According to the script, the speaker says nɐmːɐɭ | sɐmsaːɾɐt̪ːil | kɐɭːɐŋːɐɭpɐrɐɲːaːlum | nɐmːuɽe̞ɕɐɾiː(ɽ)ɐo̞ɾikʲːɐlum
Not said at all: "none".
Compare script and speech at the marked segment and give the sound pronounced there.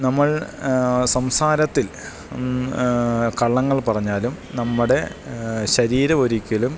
ɾ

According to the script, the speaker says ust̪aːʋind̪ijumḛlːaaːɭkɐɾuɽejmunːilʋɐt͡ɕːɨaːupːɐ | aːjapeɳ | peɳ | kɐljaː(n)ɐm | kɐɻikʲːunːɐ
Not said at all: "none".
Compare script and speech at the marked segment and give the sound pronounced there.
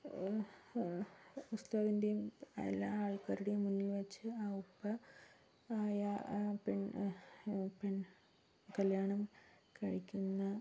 ɳ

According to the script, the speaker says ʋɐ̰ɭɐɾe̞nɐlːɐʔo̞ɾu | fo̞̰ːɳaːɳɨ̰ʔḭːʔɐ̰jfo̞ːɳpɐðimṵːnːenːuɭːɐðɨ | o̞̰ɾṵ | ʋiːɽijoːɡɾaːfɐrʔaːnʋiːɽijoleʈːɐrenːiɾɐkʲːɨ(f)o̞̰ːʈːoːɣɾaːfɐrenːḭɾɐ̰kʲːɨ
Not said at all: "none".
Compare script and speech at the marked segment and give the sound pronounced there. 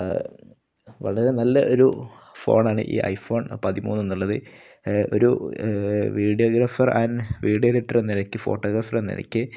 f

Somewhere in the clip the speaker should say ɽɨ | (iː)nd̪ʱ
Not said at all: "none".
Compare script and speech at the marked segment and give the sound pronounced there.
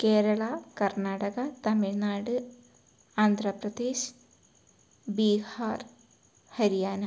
aː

